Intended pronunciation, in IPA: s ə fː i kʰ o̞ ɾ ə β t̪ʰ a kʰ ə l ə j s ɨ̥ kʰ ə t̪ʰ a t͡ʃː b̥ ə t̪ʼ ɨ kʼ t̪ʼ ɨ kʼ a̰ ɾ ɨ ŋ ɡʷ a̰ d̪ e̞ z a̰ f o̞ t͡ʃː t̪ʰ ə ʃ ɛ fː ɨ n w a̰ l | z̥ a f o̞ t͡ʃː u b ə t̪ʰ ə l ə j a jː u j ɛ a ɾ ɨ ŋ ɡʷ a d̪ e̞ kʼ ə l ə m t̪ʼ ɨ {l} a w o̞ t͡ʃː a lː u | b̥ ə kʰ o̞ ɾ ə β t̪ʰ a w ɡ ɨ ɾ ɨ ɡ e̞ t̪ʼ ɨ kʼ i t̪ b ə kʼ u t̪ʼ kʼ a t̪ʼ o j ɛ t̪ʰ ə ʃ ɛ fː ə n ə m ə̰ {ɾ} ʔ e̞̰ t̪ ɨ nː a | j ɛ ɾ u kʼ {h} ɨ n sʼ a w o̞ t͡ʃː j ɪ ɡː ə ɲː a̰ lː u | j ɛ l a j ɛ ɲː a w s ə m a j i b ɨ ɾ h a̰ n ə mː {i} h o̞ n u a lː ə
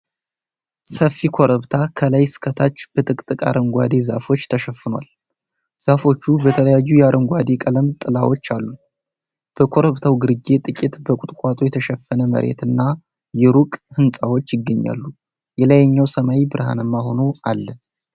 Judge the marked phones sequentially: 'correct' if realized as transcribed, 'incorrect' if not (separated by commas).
correct, correct, correct, incorrect